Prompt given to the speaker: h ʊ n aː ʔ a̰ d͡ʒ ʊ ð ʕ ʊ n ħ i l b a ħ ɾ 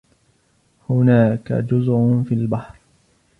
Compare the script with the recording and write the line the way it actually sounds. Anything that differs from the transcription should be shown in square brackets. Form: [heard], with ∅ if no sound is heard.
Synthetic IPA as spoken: h ʊ n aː [k] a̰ d͡ʒ ʊ [z] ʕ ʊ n [f] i l b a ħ ɾ

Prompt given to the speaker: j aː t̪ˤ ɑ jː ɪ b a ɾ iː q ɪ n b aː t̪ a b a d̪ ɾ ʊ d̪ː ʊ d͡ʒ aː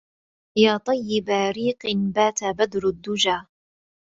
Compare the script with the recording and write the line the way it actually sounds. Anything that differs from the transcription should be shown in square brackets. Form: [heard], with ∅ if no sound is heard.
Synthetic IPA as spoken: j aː t̪ˤ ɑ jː ɪ b a ɾ iː q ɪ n b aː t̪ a b a d̪ ɾ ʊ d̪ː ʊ d͡ʒ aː

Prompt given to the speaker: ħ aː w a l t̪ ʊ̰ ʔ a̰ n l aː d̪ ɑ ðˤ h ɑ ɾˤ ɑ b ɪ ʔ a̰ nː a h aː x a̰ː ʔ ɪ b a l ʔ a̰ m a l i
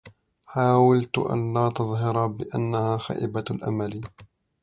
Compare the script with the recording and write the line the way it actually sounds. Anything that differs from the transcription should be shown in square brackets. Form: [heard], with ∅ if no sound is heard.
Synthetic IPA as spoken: ħ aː w a l t̪ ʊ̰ ʔ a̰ n l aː [t̪] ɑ ðˤ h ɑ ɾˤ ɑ b ɪ ʔ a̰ nː a h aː x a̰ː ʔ ɪ b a l ʔ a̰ m a l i

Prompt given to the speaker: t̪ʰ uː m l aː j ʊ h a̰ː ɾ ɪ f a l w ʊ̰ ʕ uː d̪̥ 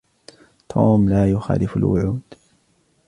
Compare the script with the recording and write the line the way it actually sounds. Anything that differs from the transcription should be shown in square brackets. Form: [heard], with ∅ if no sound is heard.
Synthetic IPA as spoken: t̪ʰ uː m l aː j ʊ [x] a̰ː [l] ɪ f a l w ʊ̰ ʕ uː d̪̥

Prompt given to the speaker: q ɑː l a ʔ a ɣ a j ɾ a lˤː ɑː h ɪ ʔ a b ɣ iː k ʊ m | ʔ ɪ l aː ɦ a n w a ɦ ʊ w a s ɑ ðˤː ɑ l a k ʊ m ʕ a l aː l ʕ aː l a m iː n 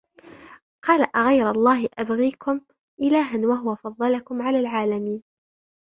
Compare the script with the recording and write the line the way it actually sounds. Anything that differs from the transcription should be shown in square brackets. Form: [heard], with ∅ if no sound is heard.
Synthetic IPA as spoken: q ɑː l a ʔ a ɣ a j ɾ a lˤː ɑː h ɪ ʔ a b ɣ iː k ʊ m | ʔ ɪ l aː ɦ a n w a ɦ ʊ w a [f] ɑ ðˤː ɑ l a k ʊ m ʕ a l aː l ʕ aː l a m iː n

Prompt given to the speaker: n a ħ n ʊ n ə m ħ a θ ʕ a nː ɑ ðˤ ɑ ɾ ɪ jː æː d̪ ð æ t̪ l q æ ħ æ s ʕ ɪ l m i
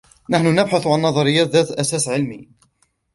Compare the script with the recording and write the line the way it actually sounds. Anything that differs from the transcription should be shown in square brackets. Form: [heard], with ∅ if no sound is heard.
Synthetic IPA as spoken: n a ħ n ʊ n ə [b] ħ a θ ʕ a nː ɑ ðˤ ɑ ɾ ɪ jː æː [t̪] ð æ t̪ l [ʔ] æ [s] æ s ʕ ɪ l m i

